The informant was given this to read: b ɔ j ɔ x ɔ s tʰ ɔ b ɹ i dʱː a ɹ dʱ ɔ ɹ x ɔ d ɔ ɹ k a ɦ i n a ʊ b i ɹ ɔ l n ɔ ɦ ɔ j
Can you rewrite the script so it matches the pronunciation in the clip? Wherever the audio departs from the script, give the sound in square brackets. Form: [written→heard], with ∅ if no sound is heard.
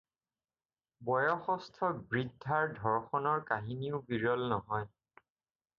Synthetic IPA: b ɔ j ɔ x ɔ s tʰ ɔ b ɹ i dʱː a ɹ dʱ ɔ ɹ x ɔ [d→n] ɔ ɹ k a ɦ i n [a→i] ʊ b i ɹ ɔ l n ɔ ɦ ɔ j